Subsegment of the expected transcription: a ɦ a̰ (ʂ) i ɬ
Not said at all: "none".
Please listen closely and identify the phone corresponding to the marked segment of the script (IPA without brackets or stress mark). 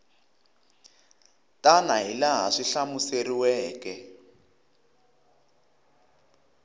ʂ